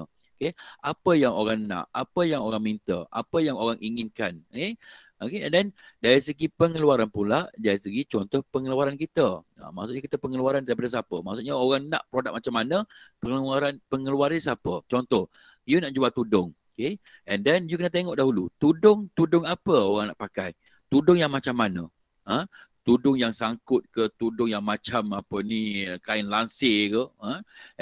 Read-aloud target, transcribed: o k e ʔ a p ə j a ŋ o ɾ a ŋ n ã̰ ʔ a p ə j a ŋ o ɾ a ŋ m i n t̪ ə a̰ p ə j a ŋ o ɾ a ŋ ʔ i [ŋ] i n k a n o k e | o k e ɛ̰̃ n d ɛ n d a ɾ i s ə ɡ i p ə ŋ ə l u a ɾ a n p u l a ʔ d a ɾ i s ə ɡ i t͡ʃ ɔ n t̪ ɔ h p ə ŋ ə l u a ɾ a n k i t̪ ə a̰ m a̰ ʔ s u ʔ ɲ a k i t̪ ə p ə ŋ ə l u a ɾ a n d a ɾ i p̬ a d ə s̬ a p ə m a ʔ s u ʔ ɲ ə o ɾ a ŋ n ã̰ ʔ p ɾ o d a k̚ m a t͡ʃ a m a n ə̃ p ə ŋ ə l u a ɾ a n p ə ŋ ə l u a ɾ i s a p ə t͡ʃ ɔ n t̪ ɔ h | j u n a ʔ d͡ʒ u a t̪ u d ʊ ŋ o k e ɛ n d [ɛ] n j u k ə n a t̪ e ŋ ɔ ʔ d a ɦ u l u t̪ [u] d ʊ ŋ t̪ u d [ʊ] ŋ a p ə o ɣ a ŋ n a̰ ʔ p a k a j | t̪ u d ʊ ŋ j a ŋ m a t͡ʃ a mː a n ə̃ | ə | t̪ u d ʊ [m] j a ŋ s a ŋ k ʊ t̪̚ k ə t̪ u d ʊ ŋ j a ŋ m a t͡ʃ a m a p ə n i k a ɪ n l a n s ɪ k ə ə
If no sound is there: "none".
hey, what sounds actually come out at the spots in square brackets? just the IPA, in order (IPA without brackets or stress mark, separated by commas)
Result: ŋ, ɛ, u, ʊ, ŋ